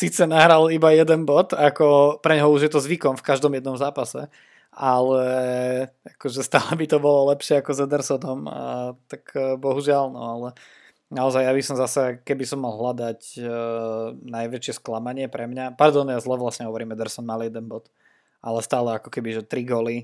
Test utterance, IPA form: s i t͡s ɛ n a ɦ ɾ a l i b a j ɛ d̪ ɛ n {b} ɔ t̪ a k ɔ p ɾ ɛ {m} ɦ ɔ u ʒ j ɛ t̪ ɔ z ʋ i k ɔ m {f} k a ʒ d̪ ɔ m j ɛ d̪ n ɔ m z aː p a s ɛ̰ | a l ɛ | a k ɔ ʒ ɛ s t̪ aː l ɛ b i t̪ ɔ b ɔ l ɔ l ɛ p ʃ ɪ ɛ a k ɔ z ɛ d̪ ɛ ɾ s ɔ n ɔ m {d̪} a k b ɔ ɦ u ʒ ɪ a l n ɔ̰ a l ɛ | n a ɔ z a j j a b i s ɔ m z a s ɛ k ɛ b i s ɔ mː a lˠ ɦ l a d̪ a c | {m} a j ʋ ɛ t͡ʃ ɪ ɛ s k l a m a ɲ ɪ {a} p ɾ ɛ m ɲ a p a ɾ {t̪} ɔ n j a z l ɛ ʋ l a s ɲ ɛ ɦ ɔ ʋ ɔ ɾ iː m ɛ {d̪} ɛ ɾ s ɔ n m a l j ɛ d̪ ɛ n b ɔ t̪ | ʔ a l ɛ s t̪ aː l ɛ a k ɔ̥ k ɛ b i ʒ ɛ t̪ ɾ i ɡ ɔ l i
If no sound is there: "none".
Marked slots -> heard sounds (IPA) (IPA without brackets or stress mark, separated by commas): b, ɲ, f, t̪, n, ɛ, d̪, d̪